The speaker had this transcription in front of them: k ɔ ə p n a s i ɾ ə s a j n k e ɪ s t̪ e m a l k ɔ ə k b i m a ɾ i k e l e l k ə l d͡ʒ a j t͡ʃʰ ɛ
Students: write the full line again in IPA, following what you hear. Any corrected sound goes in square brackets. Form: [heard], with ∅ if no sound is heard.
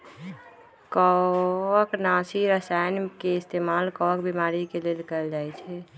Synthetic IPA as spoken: k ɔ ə [k] n a s i ɾ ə s a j n k e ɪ s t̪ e m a l k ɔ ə k b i m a ɾ i k e l e l k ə l d͡ʒ a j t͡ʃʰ ɛ